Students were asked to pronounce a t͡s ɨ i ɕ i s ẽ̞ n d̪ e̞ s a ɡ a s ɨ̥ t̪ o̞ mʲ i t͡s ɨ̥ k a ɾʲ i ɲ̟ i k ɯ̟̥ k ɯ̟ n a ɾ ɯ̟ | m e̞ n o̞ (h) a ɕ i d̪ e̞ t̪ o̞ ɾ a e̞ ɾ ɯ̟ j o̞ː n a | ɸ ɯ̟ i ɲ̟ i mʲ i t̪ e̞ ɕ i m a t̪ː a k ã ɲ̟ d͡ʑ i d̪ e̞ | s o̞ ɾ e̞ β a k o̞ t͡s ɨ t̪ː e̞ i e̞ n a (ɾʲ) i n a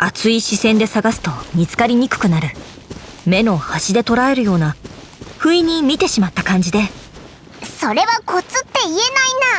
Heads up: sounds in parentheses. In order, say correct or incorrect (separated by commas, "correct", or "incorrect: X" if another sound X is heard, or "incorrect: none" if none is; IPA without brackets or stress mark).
correct, incorrect: none